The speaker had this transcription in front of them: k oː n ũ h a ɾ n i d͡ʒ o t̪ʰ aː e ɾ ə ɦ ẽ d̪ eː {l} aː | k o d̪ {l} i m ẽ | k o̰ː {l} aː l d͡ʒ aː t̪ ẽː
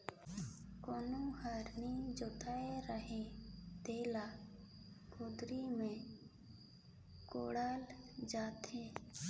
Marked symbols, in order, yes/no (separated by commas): yes, no, no